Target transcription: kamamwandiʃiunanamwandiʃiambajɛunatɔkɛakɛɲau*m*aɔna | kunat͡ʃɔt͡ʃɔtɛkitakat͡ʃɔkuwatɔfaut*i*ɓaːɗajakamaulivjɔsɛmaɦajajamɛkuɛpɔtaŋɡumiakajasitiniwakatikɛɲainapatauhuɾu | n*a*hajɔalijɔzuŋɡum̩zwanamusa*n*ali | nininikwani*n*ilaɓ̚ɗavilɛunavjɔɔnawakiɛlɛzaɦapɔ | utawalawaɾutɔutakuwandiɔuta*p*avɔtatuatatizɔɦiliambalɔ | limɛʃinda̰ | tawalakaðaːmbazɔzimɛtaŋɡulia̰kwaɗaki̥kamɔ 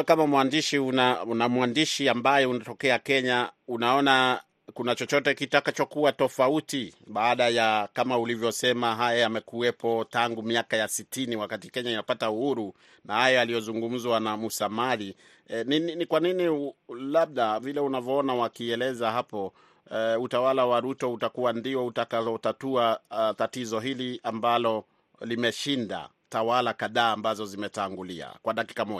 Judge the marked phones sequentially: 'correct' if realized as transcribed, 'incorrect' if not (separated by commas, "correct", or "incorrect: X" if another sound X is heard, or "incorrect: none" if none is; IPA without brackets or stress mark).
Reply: incorrect: n, correct, correct, incorrect: m, correct, incorrect: k